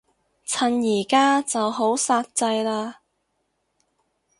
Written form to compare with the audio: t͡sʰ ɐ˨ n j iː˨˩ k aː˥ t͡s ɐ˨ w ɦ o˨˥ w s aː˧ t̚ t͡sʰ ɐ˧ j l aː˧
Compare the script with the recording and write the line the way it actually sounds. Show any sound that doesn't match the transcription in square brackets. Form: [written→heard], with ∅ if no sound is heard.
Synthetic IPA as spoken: t͡sʰ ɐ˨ n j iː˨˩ k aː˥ t͡s ɐ˨ w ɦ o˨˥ w s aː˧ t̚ [t͡sʰ→t͡s] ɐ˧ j l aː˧